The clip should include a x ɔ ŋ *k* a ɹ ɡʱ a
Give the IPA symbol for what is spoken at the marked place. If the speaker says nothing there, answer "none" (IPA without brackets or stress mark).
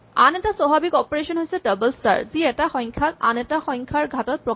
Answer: kʰ